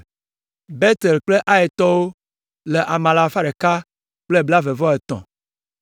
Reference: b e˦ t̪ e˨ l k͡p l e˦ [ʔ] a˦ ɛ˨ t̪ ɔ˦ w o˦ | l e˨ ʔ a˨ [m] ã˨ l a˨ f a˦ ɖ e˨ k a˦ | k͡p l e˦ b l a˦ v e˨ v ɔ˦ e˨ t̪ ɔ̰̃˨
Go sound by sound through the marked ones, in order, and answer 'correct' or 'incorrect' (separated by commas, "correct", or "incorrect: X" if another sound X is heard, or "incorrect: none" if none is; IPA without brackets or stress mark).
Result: correct, correct